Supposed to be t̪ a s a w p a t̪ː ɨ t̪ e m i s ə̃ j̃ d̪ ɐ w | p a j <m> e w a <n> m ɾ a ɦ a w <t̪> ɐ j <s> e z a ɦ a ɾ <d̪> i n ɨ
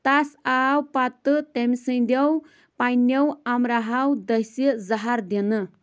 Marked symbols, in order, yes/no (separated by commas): no, no, no, yes, yes